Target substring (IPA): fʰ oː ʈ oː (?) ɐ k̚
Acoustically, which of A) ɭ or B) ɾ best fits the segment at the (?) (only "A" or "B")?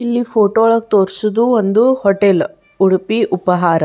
A